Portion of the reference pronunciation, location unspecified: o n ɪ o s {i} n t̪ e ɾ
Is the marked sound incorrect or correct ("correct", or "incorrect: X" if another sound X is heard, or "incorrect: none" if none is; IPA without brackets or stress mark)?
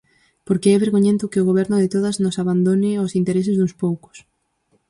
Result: correct